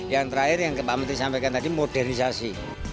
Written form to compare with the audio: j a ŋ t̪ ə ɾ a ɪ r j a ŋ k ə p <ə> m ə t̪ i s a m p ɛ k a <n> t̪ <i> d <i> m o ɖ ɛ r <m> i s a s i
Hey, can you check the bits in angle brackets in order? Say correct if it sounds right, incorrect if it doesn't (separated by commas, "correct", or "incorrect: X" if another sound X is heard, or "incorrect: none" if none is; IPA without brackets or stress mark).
incorrect: a, correct, incorrect: a, correct, incorrect: n